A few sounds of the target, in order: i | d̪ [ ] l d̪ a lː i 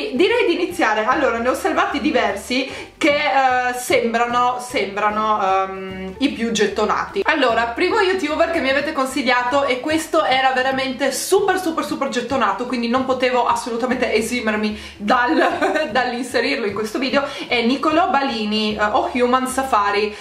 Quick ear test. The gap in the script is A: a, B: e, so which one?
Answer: A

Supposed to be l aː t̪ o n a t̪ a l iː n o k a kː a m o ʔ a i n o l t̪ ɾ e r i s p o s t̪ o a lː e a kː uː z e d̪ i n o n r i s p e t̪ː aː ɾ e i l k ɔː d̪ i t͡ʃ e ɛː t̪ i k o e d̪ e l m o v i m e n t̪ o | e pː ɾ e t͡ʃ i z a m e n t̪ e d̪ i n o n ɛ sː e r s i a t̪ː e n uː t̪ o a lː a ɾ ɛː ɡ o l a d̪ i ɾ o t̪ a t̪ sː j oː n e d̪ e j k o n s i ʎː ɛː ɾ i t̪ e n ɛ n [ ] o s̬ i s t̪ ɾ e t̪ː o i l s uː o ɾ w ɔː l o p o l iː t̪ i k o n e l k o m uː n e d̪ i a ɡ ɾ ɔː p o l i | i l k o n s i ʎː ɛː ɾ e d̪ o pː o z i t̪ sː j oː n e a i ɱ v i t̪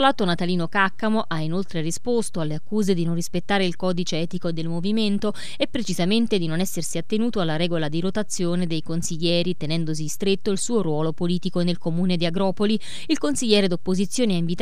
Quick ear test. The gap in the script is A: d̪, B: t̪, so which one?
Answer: A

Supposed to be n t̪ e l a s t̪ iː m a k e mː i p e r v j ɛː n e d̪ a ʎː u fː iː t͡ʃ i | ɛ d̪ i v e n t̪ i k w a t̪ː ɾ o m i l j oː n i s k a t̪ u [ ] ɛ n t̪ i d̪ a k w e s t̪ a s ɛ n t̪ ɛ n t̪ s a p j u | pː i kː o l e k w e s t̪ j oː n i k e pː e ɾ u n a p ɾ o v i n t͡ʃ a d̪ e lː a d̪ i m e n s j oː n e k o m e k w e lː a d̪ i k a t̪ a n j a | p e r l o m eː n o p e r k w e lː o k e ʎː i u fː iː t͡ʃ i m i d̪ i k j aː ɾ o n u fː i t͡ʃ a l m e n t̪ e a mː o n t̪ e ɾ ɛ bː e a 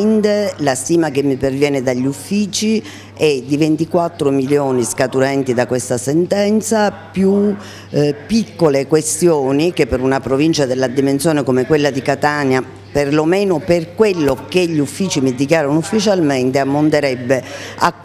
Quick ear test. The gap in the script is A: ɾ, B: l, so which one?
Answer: A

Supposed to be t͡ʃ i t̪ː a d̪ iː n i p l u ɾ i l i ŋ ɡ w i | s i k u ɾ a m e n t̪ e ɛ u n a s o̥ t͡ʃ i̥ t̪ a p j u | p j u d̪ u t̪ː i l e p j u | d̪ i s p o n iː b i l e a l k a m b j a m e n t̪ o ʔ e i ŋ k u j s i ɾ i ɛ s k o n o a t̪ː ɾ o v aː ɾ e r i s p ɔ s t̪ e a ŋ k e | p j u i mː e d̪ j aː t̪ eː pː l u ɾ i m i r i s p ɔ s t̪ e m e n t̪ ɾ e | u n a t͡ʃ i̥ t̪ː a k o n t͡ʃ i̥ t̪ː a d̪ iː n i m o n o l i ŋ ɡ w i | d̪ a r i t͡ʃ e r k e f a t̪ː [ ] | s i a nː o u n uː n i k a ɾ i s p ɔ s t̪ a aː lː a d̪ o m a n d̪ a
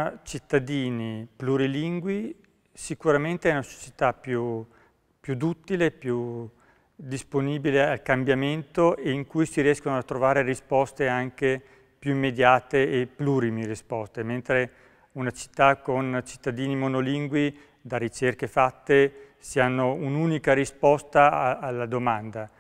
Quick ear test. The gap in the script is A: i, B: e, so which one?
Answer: B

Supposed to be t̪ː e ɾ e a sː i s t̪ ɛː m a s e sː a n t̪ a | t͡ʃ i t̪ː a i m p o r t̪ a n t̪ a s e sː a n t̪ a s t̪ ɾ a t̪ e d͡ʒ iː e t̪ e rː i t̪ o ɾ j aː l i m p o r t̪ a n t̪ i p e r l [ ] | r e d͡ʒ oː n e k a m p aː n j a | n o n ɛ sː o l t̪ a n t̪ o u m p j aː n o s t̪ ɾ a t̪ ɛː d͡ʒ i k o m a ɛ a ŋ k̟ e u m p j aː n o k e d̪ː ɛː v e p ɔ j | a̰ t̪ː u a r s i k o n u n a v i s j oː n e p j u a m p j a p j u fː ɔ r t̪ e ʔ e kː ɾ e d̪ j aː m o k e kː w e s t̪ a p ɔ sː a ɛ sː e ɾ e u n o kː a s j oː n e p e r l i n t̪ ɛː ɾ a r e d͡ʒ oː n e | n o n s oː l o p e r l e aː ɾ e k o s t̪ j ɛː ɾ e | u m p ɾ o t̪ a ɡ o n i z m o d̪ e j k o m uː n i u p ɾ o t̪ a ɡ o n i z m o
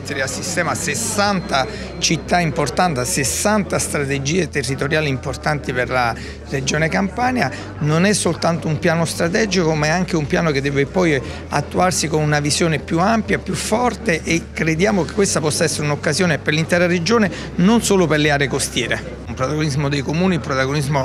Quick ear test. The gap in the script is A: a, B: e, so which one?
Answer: A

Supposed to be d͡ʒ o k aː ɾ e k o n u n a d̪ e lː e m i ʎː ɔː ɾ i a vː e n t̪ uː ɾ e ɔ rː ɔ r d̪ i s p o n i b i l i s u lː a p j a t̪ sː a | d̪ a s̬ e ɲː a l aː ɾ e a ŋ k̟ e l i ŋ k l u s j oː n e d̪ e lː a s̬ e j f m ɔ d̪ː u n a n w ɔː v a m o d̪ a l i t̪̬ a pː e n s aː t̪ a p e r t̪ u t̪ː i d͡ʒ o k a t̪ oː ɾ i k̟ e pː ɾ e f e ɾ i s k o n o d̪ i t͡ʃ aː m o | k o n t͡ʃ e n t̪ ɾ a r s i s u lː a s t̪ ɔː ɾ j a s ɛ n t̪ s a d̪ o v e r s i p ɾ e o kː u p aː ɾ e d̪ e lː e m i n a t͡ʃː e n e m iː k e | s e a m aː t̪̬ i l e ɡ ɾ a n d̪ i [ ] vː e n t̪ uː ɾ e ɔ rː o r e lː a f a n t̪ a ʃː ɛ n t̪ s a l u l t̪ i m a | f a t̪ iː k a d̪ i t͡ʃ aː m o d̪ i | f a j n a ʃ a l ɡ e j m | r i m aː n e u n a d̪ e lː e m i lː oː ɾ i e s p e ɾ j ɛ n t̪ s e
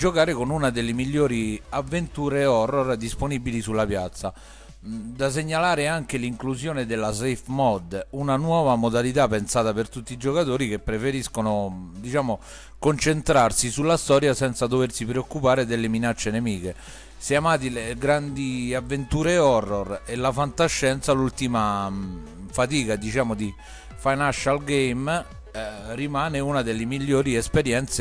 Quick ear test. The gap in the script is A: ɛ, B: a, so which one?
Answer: B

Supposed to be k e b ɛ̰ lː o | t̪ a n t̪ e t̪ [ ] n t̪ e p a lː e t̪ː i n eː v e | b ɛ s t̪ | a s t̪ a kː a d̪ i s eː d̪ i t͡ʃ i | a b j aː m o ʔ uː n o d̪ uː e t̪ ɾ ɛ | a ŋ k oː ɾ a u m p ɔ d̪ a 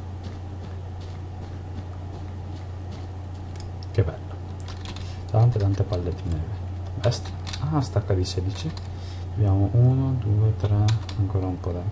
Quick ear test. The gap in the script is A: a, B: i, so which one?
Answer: A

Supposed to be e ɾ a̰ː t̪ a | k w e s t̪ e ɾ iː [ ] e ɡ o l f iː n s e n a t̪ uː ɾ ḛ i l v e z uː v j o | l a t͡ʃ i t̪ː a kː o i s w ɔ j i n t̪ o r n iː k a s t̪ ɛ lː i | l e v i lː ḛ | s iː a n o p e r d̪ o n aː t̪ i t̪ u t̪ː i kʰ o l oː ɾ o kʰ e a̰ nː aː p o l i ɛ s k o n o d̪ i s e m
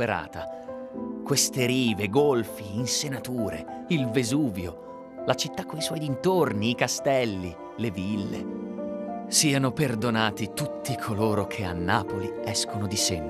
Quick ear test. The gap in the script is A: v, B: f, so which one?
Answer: A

